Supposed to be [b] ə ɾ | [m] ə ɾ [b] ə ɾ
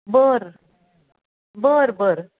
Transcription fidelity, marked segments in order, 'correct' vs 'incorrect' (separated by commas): correct, incorrect, correct